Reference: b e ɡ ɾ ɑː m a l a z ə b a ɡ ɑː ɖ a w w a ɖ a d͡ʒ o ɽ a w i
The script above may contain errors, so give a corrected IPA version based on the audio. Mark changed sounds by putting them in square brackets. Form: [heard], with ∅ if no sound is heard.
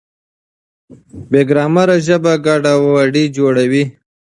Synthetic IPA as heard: b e ɡ ɾ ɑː m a [ɾ] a [ʒ] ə b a ɡ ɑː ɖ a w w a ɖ [i] d͡ʒ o ɽ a w i